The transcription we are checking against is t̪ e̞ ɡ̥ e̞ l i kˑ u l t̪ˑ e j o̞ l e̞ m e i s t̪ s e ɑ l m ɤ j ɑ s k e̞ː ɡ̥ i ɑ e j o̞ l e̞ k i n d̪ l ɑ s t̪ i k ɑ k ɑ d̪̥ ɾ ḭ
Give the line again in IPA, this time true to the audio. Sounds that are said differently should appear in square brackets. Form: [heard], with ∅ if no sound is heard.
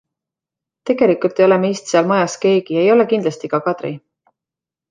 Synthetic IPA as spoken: t̪ e̞ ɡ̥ e̞ l i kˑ u l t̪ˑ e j o̞ l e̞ m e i s t̪ s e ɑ l m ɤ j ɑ s k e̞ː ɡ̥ i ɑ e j o̞ l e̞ k i n d̪ l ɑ s t̪ i k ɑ k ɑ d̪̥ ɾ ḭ